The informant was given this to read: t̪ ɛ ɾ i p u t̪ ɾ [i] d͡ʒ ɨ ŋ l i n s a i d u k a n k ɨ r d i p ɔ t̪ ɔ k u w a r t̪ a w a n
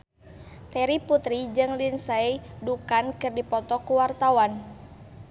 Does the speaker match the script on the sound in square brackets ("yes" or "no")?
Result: yes